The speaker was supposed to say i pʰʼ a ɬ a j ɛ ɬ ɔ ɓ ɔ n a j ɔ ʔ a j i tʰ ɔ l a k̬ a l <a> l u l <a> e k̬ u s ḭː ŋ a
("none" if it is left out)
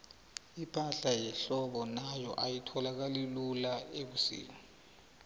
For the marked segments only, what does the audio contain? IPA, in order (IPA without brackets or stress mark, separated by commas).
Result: i, a